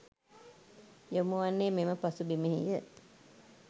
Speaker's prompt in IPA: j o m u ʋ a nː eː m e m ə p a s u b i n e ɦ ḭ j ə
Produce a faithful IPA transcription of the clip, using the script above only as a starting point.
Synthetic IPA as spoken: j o m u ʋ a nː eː m e m ə p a s u b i m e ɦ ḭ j ə